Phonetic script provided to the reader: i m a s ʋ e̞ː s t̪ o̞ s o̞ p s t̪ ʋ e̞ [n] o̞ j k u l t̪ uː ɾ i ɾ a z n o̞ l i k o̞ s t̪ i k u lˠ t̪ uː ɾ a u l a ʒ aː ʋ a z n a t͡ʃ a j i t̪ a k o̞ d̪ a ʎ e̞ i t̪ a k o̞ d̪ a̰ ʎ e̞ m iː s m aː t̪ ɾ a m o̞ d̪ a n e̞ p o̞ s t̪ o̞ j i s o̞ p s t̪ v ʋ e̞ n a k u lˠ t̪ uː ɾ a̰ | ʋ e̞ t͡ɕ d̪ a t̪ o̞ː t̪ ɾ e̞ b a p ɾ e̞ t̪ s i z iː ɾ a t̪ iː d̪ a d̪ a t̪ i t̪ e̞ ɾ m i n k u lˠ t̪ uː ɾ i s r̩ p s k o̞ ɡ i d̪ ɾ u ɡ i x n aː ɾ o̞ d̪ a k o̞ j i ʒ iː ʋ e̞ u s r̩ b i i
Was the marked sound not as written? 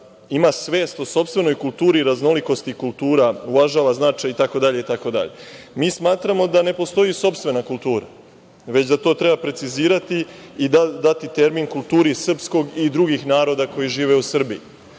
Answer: no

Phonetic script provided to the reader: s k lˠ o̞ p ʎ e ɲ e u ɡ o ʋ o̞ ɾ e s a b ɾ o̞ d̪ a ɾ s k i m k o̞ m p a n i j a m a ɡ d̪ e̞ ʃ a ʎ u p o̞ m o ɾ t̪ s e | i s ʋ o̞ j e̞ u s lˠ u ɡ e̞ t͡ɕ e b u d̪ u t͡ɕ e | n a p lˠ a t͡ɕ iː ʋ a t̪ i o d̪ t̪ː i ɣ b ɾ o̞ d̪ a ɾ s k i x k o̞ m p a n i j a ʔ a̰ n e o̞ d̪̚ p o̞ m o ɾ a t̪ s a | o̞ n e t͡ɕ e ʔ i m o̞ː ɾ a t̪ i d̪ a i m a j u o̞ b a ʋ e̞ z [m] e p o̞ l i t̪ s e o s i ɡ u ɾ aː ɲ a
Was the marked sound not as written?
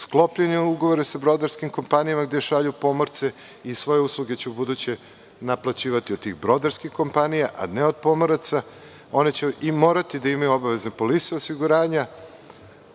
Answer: yes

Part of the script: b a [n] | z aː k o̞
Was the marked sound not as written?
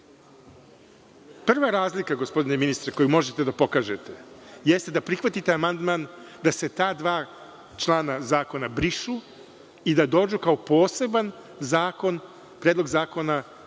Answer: no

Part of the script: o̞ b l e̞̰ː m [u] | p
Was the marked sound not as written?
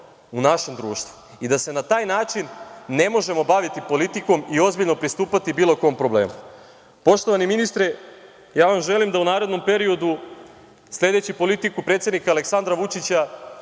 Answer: no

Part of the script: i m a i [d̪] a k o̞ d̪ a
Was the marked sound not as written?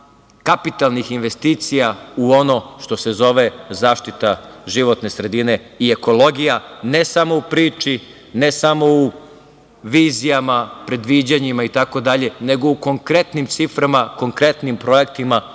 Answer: yes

